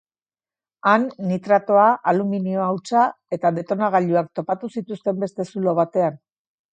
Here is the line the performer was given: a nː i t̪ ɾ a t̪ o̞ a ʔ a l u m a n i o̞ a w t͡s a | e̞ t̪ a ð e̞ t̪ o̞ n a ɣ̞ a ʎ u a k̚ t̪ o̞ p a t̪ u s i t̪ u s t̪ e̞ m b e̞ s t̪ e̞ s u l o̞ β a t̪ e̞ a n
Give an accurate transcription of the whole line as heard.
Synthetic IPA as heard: a nː i t̪ ɾ a t̪ o̞ a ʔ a l u m i n i o̞ a w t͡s a | e̞ t̪ a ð e̞ t̪ o̞ n a ɣ̞ a ʎ u a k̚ t̪ o̞ p a t̪ u s i t̪ u s t̪ e̞ m b e̞ s t̪ e̞ s u l o̞ β a t̪ e̞ a n